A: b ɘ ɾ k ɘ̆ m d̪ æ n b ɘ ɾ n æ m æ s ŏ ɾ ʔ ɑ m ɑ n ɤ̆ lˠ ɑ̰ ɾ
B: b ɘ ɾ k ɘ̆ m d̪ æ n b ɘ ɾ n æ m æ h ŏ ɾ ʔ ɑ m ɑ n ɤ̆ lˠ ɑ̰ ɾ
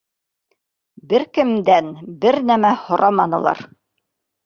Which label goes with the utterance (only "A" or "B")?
B